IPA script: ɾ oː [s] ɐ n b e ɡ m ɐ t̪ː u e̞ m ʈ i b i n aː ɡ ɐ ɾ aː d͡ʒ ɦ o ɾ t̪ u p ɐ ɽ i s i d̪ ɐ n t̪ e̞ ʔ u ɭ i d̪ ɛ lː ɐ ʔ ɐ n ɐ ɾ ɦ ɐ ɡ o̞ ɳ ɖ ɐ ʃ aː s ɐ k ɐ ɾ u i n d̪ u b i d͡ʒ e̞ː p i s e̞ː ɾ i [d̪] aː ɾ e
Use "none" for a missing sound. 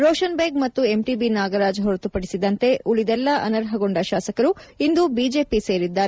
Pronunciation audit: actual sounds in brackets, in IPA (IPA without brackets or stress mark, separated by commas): ʃ, d̪ː